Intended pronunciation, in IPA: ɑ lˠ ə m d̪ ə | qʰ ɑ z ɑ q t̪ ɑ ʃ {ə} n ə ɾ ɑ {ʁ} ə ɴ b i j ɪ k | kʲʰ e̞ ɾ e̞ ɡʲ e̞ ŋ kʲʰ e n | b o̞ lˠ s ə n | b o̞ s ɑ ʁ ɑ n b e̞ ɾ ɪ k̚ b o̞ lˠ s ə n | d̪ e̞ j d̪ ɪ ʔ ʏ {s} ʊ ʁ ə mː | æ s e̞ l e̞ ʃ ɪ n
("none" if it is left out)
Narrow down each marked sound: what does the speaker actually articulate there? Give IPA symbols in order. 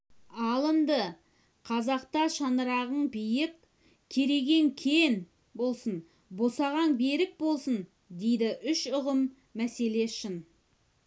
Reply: ɑ, ʁ, ʃ

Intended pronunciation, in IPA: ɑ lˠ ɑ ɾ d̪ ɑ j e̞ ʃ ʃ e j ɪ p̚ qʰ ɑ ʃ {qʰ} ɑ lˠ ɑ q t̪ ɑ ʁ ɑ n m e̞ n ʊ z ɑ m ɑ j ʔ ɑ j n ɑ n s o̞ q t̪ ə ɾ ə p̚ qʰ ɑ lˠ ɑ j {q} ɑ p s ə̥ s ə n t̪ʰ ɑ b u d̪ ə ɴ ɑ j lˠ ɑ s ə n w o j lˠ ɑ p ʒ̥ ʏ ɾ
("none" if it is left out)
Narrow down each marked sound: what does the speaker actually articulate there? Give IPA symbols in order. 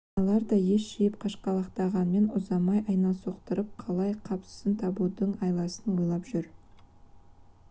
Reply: q, qʰ

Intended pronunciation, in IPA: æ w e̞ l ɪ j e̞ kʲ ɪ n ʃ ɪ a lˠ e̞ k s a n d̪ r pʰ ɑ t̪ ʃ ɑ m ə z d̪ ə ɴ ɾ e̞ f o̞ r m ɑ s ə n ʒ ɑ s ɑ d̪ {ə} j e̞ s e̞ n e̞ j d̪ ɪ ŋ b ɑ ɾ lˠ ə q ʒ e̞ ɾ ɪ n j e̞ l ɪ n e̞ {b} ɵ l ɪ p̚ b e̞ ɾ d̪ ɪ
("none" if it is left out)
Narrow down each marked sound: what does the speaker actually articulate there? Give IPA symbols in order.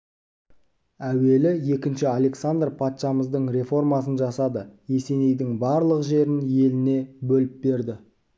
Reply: ə, b

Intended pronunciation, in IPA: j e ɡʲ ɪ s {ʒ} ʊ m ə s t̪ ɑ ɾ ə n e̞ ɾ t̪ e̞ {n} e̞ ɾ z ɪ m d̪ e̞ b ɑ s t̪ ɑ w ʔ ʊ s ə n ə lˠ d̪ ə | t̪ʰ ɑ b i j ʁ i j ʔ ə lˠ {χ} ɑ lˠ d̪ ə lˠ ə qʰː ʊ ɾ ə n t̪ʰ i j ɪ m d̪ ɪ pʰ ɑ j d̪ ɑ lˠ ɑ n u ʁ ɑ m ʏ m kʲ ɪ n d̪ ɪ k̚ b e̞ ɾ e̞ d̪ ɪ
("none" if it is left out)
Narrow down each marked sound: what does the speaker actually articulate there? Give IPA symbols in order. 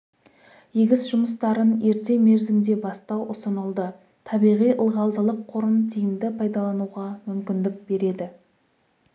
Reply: ʒ, m, ʁ

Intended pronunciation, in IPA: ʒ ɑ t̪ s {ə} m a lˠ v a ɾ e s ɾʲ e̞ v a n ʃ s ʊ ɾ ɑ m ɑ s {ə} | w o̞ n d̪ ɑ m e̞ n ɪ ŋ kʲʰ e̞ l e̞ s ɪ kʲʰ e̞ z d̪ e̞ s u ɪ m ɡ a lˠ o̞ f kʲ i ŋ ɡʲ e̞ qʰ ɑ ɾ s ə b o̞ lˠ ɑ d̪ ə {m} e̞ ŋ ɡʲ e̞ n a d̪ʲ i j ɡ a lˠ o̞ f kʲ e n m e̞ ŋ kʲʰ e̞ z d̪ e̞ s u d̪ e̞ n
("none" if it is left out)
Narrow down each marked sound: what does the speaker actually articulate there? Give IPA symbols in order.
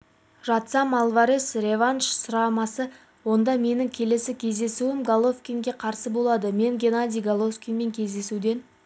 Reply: ɑ, ə, m

